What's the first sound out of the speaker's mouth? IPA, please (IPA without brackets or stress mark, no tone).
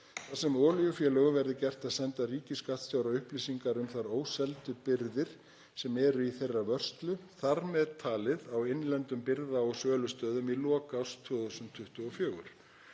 θ